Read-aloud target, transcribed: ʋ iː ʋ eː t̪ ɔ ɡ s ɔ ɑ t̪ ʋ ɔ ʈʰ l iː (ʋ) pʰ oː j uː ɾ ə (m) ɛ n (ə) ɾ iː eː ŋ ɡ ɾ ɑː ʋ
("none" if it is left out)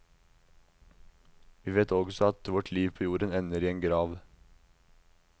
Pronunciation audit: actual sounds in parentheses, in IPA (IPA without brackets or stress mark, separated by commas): ʋ, n, ə